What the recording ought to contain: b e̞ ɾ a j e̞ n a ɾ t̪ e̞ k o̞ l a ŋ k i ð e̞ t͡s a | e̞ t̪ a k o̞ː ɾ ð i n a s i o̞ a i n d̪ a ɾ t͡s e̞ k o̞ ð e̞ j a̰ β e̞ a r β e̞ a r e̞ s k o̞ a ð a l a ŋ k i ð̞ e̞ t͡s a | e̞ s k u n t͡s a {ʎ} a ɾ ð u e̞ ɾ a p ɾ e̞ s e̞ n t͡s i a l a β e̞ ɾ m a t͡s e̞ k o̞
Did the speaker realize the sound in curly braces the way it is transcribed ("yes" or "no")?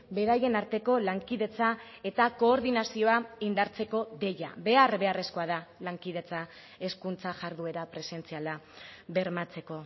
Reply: no